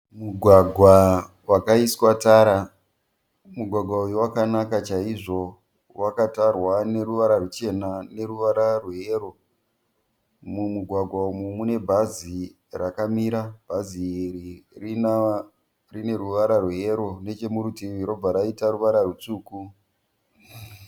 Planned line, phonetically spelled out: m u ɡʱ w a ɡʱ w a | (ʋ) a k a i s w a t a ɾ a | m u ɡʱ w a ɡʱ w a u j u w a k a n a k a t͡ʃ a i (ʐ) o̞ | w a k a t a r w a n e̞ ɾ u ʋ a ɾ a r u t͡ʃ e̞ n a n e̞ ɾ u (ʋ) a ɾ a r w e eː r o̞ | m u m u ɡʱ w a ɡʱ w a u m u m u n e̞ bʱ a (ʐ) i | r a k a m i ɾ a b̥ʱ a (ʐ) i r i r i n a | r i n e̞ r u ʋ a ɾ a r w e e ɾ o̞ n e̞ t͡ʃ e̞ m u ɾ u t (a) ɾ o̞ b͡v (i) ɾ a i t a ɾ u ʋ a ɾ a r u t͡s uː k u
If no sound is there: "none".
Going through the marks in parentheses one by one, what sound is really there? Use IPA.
w, ʐ, ʋ, z, z, i, a

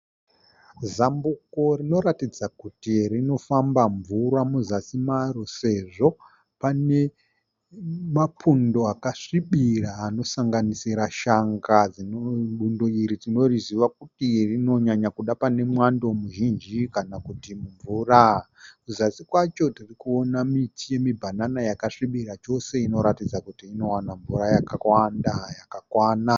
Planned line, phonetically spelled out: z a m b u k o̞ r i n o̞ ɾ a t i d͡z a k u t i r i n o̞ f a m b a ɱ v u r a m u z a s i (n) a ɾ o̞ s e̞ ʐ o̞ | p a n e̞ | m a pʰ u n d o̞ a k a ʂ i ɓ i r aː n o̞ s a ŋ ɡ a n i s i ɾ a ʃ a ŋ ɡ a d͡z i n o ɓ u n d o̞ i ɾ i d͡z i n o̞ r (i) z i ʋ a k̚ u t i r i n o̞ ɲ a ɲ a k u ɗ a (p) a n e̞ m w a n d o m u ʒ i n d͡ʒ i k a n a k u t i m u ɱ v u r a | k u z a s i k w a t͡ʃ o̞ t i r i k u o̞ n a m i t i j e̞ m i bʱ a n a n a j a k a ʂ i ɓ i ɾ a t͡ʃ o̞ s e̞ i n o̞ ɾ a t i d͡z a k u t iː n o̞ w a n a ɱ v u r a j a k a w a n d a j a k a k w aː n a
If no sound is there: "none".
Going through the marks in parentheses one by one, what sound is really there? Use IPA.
m, i, p

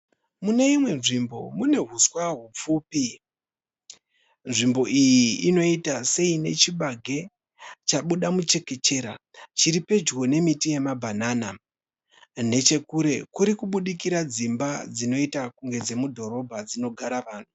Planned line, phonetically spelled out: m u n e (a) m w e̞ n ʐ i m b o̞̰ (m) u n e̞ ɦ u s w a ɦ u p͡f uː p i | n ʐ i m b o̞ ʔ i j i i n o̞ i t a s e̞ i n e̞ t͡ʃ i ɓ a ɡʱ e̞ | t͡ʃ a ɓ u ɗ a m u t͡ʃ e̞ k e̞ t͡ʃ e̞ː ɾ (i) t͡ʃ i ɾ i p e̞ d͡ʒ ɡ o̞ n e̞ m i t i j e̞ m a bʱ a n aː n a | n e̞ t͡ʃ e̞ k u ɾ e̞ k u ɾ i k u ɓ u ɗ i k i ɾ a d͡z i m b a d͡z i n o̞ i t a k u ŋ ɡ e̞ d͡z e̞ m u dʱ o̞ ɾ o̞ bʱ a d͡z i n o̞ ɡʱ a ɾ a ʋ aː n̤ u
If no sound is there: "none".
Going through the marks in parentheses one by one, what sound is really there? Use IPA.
i, m, a

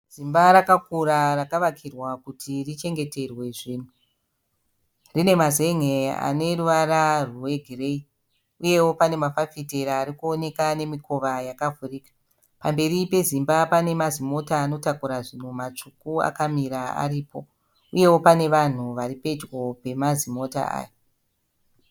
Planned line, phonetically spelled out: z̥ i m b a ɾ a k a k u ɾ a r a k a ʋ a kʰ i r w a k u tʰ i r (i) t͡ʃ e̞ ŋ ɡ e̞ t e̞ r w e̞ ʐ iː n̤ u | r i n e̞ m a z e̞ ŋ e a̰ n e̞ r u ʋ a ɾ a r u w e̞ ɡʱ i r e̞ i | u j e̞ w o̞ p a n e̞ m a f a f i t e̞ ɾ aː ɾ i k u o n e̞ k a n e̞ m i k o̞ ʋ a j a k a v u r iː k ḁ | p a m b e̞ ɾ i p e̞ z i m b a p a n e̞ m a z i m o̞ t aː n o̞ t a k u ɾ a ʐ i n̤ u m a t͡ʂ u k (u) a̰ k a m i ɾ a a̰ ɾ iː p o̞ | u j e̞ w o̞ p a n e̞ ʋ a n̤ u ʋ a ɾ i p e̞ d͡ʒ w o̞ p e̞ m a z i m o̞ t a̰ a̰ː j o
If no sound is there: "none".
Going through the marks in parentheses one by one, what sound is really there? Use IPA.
i, u

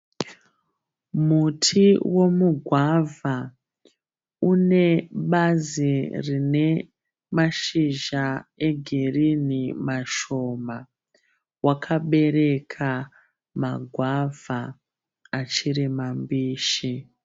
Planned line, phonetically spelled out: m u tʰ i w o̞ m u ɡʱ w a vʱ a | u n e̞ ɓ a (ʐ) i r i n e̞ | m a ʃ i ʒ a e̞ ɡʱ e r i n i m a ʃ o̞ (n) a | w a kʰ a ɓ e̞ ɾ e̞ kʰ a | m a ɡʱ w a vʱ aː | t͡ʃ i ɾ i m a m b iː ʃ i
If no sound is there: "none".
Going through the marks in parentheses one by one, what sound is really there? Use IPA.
z, m

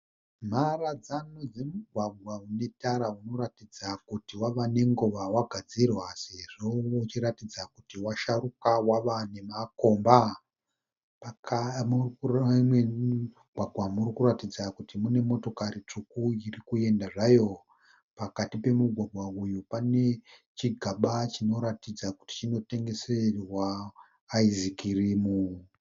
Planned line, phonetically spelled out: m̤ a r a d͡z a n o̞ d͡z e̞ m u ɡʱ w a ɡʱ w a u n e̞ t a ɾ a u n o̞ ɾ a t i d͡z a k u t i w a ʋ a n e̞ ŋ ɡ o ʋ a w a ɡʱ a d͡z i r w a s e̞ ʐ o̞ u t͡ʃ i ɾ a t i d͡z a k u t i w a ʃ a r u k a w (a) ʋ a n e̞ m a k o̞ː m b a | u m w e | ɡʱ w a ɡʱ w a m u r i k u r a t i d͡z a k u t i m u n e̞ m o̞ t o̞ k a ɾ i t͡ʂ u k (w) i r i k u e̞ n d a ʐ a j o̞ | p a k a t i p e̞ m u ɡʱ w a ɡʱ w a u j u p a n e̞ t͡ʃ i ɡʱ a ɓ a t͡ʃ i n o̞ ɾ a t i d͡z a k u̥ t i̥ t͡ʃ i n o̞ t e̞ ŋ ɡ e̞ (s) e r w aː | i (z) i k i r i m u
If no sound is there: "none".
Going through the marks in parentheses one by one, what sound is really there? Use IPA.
a, u, s, z

